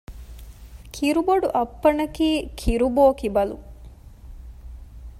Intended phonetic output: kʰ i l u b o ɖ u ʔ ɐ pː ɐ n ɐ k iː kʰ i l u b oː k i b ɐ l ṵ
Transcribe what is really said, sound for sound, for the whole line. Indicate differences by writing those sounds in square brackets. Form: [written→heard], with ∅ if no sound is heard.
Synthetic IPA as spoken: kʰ i [l→ɾ] u b o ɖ u ʔ ɐ pː ɐ n ɐ k iː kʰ i [l→ɾ] u b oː k i b ɐ l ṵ